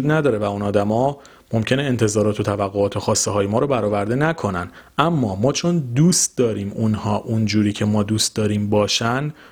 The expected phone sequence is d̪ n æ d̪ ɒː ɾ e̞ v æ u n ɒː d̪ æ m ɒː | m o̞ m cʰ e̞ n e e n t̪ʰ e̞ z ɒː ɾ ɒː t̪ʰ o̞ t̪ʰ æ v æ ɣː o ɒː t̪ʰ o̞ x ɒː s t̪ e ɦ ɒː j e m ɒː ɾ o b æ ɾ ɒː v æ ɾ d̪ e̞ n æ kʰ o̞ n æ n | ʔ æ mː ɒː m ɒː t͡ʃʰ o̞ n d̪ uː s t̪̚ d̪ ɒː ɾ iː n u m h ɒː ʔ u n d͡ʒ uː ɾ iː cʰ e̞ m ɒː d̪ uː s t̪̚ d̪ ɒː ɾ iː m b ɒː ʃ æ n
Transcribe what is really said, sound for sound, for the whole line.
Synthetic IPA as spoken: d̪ n æ d̪ ɒː ɾ e̞ v æ u n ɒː d̪ æ m ɒː | m o̞ m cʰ e̞ n e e n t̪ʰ e̞ z ɒː ɾ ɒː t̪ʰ o̞ t̪ʰ æ v æ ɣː o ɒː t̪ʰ o̞ x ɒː s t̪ e ɦ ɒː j e m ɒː ɾ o b æ ɾ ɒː v æ ɾ d̪ e̞ n æ kʰ o̞ n æ n | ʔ æ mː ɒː m ɒː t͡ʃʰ o̞ n d̪ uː s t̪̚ d̪ ɒː ɾ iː m u n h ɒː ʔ u n d͡ʒ uː ɾ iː cʰ e̞ m ɒː d̪ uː s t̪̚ d̪ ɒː ɾ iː m b ɒː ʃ æ n